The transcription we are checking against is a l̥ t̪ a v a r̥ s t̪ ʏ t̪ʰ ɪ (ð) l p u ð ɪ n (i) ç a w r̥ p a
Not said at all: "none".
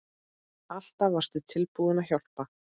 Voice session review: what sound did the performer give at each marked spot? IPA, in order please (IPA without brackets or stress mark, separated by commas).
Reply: none, a